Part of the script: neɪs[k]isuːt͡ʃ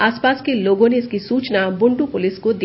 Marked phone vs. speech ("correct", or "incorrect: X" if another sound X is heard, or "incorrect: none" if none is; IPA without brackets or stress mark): correct